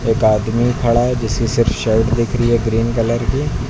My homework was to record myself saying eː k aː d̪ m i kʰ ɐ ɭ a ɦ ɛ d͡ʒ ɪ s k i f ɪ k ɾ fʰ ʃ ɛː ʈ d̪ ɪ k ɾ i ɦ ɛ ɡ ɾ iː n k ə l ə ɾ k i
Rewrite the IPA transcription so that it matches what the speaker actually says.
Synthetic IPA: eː k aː d̪ m i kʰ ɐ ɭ a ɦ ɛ d͡ʒ ɪ s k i s ɪ ɾ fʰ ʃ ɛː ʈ d̪ ɪ kʰ ɾ i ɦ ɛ ɡ ɾ iː n k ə l ə ɾ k i